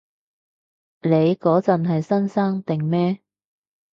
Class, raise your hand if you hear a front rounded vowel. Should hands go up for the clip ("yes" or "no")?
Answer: no